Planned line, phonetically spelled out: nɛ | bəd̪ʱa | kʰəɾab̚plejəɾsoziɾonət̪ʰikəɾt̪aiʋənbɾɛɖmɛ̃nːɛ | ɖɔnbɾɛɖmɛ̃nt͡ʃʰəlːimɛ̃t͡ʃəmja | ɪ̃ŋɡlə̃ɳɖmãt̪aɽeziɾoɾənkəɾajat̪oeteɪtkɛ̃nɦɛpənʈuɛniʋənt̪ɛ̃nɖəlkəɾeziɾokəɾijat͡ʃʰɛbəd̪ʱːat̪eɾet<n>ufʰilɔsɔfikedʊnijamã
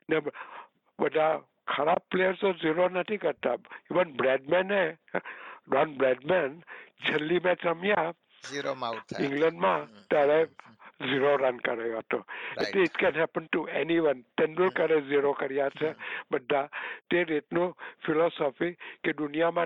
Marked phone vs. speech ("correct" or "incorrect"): correct